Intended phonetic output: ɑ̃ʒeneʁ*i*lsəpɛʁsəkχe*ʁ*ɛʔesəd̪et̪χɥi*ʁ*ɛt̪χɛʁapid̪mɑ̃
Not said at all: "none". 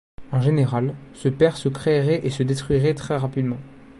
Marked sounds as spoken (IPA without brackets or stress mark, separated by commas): a, ʁ, ʁ